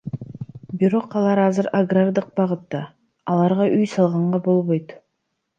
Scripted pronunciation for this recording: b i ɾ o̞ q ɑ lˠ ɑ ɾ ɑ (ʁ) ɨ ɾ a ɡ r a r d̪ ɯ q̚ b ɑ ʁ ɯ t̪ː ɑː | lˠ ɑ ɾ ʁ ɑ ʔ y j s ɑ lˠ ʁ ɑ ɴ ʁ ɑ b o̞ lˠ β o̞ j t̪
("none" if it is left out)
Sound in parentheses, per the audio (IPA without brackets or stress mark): z